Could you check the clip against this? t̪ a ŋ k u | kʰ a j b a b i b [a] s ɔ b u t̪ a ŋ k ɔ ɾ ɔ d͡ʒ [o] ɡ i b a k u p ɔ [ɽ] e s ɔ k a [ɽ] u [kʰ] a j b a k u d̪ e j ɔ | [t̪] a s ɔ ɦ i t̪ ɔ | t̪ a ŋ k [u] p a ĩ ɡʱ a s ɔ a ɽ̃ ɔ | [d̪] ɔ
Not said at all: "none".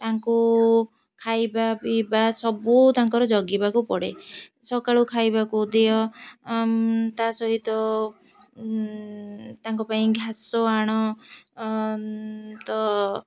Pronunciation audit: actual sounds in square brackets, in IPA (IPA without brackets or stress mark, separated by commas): a, ɔ, ɽ, ɭ, kʰ, t̪, ɔ, t̪